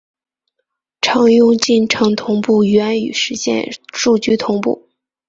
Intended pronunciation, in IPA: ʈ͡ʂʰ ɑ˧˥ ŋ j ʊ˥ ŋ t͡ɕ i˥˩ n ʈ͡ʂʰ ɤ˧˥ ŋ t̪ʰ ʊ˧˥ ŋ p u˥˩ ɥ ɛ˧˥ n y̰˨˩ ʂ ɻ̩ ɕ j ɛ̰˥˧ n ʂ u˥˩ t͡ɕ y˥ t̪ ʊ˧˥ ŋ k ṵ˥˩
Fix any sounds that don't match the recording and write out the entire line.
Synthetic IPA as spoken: ʈ͡ʂʰ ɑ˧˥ ŋ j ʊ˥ ŋ t͡ɕ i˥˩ n ʈ͡ʂʰ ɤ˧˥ ŋ t̪ʰ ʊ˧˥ ŋ p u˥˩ ɥ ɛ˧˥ n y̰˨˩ ʂ ɻ̩ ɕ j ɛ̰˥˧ n ʂ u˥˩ t͡ɕ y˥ t̪ʰ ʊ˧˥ ŋ p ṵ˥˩